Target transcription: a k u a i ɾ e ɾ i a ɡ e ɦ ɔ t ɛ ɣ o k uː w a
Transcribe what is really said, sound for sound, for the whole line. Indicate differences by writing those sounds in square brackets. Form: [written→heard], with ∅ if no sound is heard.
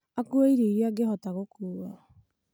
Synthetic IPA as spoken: a k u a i ɾ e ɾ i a ɡ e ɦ ɔ t [ɛ→a] ɣ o k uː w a